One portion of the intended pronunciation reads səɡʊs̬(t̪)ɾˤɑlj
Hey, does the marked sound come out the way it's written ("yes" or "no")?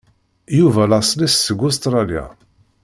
yes